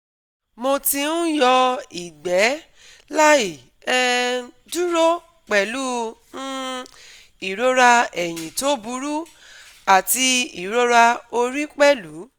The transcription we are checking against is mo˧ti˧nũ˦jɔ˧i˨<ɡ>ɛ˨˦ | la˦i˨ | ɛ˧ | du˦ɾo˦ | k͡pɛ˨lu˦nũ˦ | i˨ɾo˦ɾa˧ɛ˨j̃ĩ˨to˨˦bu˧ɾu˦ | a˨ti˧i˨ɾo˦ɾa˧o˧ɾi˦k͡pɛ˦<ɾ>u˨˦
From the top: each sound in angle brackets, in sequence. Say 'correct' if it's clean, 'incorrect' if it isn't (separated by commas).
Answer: incorrect, incorrect